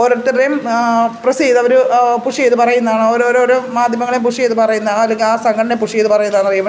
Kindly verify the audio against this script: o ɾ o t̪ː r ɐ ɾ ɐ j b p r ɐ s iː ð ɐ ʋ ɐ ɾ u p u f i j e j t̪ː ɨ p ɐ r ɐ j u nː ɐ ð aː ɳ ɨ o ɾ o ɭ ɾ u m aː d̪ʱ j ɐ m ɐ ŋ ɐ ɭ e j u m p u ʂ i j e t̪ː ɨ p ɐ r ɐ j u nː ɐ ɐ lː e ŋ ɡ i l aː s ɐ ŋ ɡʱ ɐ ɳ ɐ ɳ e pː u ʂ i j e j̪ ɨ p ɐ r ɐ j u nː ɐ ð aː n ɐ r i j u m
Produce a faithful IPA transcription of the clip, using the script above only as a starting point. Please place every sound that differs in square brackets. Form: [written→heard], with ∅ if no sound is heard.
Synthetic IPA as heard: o ɾ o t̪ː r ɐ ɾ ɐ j [b→m] p r ɐ s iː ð ɐ ʋ ɐ ɾ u p u [f→ʂ] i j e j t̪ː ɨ p ɐ r ɐ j u nː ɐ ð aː ɳ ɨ o ɾ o [ɭ→ɾ] ɾ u m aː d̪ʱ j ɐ m ɐ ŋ ɐ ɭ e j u m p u ʂ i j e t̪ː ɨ p ɐ r ɐ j u nː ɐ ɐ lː e ŋ ɡ i l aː s ɐ ŋ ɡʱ ɐ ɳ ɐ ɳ e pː u ʂ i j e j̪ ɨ p ɐ r ɐ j u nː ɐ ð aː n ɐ r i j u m